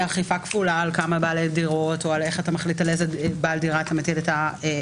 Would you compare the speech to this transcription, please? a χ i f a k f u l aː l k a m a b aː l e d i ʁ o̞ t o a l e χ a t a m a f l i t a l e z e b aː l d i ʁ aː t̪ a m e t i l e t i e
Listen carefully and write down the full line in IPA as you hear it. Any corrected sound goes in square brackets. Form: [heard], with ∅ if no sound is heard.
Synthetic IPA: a χ i f a k f u l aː l k a m a b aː l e d i ʁ o̞ t o a l e χ a t a m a [χ] l i t a l e z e b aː l d i ʁ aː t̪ a m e t i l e t [a] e